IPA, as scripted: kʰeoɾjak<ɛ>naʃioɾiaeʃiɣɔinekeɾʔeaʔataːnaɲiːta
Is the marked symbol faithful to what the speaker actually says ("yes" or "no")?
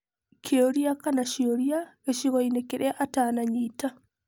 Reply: no